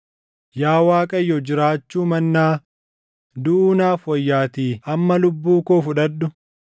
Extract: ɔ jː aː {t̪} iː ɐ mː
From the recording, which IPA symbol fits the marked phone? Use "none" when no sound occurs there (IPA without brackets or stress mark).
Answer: t̪